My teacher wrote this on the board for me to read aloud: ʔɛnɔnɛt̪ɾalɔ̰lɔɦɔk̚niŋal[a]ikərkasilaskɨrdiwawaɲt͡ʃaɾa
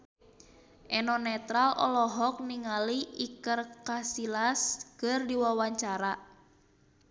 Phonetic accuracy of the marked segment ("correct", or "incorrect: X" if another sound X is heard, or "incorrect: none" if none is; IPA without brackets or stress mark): incorrect: i